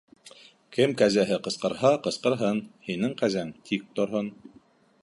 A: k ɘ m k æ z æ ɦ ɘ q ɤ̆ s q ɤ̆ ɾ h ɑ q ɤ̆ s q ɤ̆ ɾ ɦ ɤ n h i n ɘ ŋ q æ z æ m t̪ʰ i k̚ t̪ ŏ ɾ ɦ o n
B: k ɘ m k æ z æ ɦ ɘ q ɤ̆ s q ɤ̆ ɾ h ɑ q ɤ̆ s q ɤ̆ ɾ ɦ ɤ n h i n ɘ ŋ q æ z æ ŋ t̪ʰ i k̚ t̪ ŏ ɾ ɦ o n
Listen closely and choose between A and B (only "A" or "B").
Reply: B